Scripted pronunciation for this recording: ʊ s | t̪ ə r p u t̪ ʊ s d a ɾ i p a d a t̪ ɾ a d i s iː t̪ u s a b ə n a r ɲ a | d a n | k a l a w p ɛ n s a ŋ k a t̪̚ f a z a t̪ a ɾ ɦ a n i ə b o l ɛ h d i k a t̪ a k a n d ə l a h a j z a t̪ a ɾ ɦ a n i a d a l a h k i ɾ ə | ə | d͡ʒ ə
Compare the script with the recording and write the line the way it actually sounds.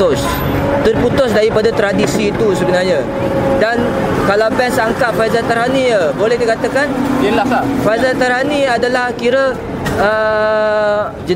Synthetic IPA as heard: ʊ s | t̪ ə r p u t̪ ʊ s d a ɾ i p a d a t̪ ɾ a d i s iː t̪ u s ə b ə n a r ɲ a | d a n | k a l a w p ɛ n s a ŋ k a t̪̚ f a z a t̪ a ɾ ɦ a n i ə b o l ɛ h d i k a t̪ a k a n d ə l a f a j z a t̪ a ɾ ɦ a n i a d a l a h k i ɾ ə | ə | d͡ʒ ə